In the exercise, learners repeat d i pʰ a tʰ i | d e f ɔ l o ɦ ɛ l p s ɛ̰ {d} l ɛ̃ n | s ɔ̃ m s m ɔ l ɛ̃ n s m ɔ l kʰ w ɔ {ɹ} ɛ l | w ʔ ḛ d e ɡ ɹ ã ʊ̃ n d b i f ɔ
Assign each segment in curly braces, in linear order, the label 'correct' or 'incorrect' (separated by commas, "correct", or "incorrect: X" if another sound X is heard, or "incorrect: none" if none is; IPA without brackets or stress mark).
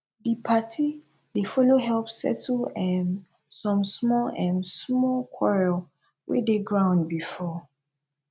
incorrect: t, correct